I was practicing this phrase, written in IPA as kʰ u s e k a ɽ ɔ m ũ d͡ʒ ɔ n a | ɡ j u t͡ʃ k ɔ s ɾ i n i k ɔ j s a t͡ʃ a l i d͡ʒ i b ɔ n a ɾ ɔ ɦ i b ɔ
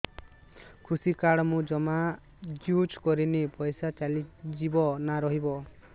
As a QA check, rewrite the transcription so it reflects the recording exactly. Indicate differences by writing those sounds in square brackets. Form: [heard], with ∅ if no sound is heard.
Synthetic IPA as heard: kʰ u s [i] k a ɽ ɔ m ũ d͡ʒ ɔ [m] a | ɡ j u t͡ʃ k ɔ [∅] ɾ i n i [p] ɔ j s a t͡ʃ a l i d͡ʒ i b ɔ n a ɾ ɔ ɦ i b ɔ